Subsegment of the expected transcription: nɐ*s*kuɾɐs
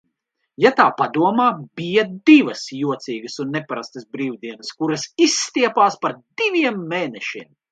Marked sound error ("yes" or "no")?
no